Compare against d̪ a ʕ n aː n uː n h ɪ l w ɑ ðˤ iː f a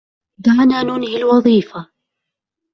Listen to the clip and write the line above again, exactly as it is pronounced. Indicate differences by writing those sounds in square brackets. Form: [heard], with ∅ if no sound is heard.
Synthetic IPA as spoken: d̪ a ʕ n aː n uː n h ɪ l w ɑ ðˤ iː f a